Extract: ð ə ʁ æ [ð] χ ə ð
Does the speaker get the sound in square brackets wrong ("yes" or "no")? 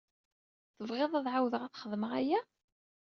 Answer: yes